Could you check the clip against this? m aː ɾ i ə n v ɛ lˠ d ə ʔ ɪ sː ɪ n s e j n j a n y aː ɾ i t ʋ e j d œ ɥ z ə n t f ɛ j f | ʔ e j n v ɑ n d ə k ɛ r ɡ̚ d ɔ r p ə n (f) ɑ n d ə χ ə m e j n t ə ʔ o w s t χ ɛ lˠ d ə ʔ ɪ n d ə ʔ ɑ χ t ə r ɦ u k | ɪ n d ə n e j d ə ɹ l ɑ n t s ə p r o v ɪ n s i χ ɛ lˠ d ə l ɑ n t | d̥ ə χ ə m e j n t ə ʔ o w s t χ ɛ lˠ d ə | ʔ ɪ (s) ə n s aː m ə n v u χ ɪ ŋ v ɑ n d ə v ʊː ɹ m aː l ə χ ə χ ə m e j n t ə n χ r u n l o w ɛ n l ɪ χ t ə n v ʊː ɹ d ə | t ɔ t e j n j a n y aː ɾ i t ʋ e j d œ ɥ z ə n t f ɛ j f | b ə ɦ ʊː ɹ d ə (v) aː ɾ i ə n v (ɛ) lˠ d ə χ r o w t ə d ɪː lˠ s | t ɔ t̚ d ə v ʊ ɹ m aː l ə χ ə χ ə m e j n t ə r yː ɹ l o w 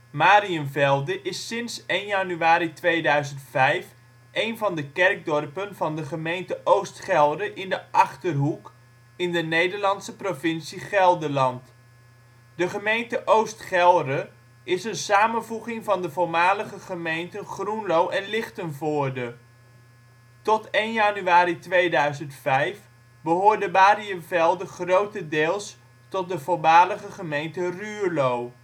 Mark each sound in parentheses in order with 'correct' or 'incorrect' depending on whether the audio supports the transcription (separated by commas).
incorrect, correct, incorrect, correct